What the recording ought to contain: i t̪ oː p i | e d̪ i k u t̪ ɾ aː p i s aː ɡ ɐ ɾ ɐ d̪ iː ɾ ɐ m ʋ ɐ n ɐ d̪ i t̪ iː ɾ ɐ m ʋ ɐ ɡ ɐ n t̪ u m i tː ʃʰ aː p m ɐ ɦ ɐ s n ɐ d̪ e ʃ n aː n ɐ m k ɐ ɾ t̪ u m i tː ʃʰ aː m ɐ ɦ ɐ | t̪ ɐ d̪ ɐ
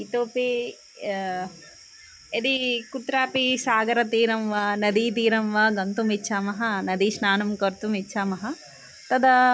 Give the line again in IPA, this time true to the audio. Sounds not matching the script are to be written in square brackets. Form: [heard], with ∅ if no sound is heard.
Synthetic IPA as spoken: i t̪ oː p i | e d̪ i k u t̪ ɾ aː p i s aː ɡ ɐ ɾ ɐ [t̪] iː ɾ ɐ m ʋ ɐ n ɐ d̪ i t̪ iː ɾ ɐ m ʋ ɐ ɡ ɐ n t̪ u m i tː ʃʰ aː [∅] m ɐ ɦ ɐ [∅] n ɐ d̪ [i] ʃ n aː n ɐ m k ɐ ɾ t̪ u m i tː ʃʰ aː m ɐ ɦ ɐ | t̪ ɐ d̪ ɐ